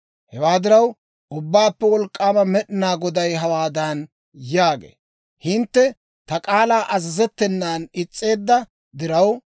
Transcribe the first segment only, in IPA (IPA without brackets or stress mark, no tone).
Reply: h